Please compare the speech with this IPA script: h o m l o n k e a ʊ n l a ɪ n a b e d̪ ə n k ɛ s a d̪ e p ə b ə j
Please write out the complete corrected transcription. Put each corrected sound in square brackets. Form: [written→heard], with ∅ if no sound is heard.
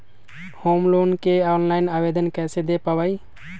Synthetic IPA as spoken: h o m l o n k e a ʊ n l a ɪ n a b e d̪ ə n k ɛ s [a→e] d̪ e p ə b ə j